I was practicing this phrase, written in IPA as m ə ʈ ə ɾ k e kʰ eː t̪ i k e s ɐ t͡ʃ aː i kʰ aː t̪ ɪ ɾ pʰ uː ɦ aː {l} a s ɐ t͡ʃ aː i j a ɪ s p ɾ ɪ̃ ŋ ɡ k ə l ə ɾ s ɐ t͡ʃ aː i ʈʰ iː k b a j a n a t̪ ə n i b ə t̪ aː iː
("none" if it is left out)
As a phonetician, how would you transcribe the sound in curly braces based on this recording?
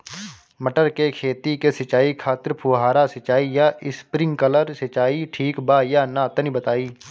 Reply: ɾ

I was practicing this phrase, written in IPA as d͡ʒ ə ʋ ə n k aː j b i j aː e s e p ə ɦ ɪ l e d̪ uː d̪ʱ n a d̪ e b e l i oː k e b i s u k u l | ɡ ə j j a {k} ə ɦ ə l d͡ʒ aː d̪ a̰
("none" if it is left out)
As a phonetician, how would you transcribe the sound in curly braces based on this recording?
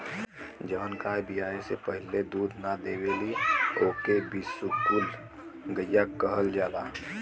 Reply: k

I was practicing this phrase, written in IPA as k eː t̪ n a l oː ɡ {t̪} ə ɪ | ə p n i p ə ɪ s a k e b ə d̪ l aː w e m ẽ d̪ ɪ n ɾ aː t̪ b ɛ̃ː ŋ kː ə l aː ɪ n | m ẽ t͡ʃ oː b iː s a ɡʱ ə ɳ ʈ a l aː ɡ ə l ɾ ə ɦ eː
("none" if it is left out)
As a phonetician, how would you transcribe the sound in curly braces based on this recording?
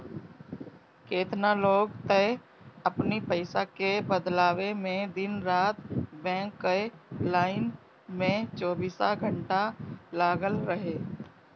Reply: t̪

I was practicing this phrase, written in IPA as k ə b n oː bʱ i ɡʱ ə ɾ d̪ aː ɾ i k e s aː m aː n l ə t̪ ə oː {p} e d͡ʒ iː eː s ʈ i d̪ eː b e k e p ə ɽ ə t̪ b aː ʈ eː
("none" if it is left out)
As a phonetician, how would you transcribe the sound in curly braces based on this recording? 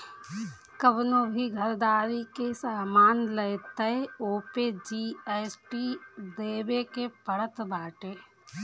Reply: p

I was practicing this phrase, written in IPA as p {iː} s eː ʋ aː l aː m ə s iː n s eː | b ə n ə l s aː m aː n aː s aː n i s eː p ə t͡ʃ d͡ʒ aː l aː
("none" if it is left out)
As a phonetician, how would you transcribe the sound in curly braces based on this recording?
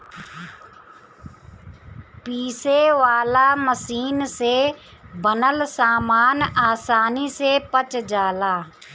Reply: iː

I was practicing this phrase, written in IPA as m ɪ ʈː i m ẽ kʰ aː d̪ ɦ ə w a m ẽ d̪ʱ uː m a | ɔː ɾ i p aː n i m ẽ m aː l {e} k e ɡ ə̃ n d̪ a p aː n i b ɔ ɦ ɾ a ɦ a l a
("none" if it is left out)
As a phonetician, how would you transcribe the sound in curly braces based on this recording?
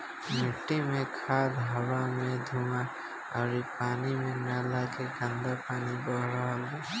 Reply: a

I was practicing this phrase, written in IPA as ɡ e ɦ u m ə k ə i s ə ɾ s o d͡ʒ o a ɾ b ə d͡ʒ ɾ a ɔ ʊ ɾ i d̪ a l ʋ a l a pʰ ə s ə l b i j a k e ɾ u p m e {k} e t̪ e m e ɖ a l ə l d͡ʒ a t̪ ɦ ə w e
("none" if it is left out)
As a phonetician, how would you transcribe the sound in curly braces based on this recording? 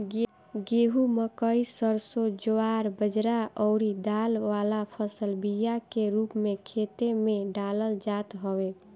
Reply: kʰ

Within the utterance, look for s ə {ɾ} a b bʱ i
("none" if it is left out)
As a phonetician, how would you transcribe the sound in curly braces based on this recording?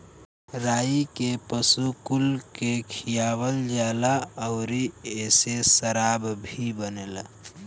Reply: ɾ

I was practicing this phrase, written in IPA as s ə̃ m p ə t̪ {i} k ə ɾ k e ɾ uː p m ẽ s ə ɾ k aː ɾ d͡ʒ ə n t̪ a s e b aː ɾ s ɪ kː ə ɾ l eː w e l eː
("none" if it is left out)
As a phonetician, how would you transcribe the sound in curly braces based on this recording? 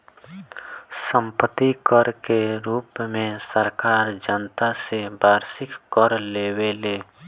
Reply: i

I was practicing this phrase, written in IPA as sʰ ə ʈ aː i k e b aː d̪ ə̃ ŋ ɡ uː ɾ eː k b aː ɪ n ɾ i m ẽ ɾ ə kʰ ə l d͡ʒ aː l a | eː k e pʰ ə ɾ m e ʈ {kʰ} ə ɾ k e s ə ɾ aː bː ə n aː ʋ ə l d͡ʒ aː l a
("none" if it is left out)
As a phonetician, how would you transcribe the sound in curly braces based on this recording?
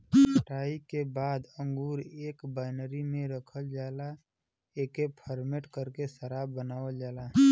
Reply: k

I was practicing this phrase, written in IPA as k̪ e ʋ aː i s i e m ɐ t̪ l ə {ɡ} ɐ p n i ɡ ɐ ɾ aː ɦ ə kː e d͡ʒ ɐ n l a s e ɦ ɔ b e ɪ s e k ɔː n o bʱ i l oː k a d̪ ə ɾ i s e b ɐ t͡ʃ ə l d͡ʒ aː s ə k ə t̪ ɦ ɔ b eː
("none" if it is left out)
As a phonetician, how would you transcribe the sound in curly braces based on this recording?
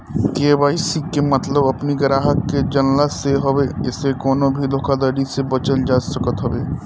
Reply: b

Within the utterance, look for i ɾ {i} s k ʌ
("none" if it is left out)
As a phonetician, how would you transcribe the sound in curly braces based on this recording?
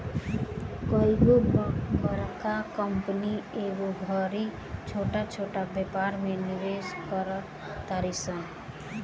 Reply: e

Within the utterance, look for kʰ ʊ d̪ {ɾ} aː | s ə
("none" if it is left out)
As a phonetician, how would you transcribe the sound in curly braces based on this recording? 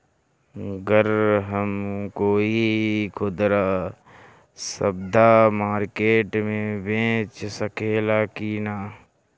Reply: ɾ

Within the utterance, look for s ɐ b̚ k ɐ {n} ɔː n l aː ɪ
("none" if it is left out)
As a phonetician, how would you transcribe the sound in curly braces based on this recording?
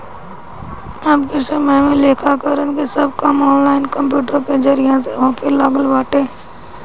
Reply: m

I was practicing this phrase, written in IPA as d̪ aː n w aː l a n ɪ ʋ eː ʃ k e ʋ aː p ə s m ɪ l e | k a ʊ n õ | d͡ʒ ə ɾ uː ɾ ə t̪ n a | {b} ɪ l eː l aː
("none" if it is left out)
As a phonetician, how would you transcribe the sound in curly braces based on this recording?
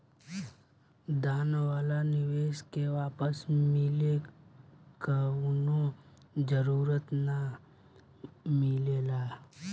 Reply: m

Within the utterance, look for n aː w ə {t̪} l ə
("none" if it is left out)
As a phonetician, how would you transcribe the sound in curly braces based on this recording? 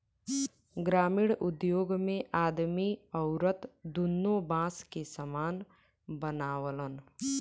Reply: none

